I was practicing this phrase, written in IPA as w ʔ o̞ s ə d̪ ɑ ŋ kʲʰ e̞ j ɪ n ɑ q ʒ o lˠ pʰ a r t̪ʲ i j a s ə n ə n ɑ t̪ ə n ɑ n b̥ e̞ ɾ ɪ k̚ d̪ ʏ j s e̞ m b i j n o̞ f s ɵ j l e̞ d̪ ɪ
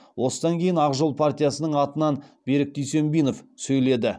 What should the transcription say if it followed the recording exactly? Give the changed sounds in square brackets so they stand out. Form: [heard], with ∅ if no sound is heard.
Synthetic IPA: w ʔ o̞ s ə d̪ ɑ ŋ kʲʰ e̞ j ɪ n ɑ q ʒ o lˠ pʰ a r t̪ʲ i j a s ə n ə [ɴ] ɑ t̪ ə n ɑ n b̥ e̞ ɾ ɪ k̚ d̪ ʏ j s e̞ m b i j n o̞ f s ɵ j l e̞ d̪ ɪ